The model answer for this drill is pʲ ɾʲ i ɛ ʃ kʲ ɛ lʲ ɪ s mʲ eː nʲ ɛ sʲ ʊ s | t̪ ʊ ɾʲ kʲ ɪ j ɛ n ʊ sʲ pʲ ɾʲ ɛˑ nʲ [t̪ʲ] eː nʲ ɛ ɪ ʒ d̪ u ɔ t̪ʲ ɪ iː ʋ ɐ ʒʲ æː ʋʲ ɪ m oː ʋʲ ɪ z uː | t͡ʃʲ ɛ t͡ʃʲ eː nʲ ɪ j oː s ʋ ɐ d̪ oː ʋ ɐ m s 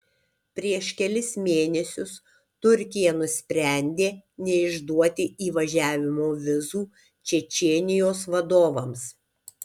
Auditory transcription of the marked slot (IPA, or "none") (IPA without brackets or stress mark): d̪ʲ